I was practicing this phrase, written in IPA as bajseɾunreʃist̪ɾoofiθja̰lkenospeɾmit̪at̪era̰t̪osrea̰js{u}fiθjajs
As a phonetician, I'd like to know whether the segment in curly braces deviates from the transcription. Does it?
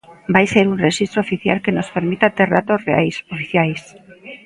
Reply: yes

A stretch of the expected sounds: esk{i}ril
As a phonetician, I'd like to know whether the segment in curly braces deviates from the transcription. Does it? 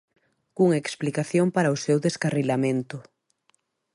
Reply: yes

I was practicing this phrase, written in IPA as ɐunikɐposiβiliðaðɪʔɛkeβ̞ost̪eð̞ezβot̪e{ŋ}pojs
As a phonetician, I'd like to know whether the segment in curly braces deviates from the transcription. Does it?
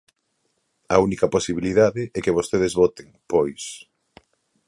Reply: no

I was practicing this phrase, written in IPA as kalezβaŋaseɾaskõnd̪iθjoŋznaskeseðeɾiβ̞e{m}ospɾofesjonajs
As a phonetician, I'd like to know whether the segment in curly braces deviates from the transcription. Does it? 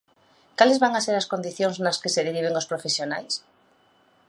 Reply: yes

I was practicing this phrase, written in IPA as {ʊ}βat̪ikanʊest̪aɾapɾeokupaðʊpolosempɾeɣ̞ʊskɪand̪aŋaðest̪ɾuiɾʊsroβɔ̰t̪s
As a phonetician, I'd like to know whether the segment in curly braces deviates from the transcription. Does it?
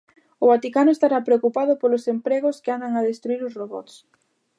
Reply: no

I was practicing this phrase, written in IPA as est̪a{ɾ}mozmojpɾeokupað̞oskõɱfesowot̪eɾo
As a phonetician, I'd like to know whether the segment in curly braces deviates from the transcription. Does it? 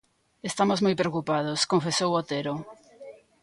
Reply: yes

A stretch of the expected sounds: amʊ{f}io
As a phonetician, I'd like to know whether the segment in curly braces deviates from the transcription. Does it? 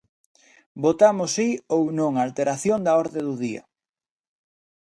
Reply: yes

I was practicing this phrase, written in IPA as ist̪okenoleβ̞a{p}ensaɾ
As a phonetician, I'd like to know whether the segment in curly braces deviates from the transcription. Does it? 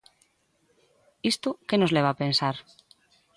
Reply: no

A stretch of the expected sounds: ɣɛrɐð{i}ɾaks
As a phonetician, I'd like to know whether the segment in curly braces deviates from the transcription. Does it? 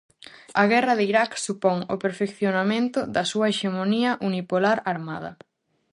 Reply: no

